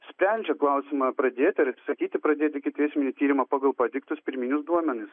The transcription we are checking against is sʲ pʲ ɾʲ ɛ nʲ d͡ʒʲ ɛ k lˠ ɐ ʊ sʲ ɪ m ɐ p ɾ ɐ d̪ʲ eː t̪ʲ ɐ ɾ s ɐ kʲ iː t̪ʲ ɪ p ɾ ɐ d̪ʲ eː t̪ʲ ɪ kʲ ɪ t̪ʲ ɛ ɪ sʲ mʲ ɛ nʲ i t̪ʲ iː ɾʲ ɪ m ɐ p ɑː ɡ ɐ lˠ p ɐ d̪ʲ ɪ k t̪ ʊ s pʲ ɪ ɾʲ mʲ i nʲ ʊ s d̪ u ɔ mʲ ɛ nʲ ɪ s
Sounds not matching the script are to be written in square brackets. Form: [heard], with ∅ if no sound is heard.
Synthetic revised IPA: sʲ pʲ ɾʲ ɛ nʲ d͡ʒʲ ɛ k lˠ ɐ ʊ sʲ ɪ m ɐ p ɾ ɐ d̪ʲ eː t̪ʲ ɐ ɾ s ɐ kʲ iː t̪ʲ ɪ p ɾ ɐ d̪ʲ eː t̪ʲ ɪ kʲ ɪ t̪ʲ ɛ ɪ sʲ mʲ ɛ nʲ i t̪ʲ iː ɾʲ ɪ m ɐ p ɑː ɡ ɐ lˠ p ɐ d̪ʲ ɪ k t̪ ʊ s pʲ ɪ ɾʲ mʲ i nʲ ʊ s d̪ u ɔ mʲ ɛ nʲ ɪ s